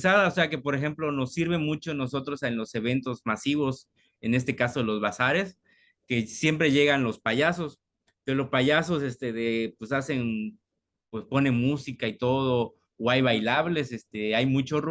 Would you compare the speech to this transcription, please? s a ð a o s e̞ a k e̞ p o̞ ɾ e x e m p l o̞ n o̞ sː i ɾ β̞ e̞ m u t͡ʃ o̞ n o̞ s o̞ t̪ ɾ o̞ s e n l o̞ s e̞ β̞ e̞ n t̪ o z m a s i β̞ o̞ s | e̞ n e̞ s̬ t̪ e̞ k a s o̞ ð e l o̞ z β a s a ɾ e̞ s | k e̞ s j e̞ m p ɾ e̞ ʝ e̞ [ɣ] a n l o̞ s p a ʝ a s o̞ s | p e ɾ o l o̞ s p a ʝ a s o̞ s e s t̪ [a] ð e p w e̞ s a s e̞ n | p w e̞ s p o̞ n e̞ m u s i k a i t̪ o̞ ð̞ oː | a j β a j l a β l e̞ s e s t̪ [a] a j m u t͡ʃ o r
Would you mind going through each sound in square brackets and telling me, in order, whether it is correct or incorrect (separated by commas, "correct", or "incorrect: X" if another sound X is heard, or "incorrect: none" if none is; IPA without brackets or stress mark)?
correct, incorrect: e, incorrect: e